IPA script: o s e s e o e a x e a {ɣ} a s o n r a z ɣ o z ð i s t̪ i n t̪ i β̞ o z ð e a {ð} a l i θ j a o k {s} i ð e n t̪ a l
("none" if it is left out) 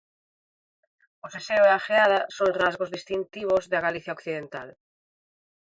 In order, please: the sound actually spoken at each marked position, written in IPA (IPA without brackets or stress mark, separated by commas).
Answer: ð, ɣ, θ